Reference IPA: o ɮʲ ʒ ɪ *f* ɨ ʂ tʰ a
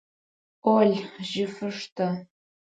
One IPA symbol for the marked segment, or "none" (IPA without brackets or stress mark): f